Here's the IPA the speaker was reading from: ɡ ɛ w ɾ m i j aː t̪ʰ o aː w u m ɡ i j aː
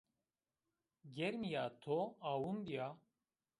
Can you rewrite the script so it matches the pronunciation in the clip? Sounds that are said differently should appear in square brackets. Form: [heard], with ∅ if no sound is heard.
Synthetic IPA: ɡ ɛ [∅] ɾ m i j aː t̪ʰ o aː w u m [b] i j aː